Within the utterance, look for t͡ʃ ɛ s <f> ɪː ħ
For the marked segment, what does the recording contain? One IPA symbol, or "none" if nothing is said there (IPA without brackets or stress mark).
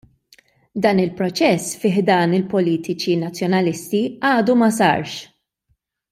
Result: f